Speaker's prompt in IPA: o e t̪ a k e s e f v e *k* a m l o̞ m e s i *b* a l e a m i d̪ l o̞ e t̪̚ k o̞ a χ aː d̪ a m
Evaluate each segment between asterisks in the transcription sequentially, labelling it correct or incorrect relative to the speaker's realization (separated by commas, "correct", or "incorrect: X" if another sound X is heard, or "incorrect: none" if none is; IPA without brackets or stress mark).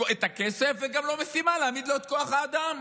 incorrect: ɡ, incorrect: m